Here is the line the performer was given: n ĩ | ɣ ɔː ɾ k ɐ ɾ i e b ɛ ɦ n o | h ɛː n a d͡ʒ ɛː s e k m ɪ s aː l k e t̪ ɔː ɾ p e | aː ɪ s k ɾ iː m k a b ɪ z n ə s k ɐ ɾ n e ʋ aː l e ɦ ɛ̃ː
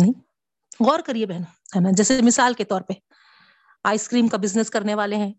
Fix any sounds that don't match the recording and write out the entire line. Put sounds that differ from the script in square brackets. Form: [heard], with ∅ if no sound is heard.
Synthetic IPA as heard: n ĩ | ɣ ɔː ɾ k ɐ ɾ i e b ɛ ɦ n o | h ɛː n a d͡ʒ ɛː s e [∅] m ɪ s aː l k e t̪ ɔː ɾ p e | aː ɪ s k ɾ iː m k a b ɪ z n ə s k ɐ ɾ n e ʋ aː l e ɦ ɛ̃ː